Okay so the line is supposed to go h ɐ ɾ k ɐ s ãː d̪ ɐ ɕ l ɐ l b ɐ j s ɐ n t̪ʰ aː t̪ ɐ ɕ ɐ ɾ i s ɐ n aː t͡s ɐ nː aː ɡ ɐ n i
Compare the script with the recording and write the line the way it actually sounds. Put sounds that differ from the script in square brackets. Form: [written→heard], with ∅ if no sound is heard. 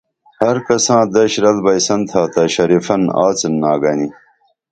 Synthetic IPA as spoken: h ɐ ɾ k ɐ s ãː d̪ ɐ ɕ [l→ɾ] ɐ l b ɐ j s ɐ n t̪ʰ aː t̪ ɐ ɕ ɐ ɾ i [s→f] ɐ n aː t͡s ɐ nː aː ɡ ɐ n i